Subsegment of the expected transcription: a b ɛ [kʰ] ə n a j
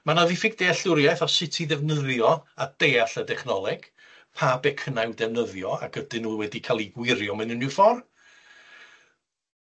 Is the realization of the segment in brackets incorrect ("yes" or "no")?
no